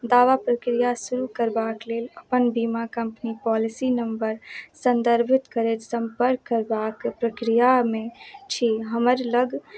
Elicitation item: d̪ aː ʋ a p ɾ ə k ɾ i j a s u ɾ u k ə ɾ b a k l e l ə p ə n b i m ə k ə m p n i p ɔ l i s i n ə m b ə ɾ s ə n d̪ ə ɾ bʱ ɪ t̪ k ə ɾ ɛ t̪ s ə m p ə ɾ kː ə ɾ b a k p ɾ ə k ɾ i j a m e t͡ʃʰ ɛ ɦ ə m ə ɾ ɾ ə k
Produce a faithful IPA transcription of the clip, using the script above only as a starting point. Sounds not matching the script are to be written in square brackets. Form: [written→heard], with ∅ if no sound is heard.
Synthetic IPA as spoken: d̪ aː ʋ a p ɾ ə k ɾ i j a s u ɾ u k ə ɾ b a k l e l ə p ə n b i m [ə→a] k ə m p n i p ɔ l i s i n ə m b ə ɾ s ə n d̪ ə ɾ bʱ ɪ t̪ k ə ɾ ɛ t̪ s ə m p ə ɾ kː ə ɾ b a k p ɾ ə k ɾ i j a m e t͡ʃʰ [ɛ→i] ɦ ə m ə ɾ [ɾ→l] ə [k→ɡ]

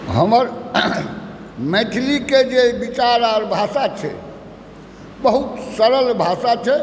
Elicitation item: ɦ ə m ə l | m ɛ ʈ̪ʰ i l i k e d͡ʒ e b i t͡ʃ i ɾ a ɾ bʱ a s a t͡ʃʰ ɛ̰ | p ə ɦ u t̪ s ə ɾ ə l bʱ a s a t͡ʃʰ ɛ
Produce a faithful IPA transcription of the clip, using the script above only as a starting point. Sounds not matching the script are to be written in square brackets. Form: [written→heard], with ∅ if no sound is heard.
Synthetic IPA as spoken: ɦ ə m ə [l→ɾ] | m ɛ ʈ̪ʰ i l i k e d͡ʒ e b i t͡ʃ [i→a] ɾ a ɾ bʱ a s a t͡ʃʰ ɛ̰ | [p→b] ə ɦ u t̪ s ə ɾ ə l bʱ a s a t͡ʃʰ ɛ

